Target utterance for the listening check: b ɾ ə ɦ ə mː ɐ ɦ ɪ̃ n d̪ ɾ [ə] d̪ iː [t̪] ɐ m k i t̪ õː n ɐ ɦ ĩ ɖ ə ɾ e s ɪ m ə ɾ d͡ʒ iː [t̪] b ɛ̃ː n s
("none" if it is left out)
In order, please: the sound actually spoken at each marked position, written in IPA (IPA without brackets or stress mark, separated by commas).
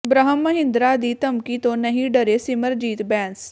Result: a, t̪, t̪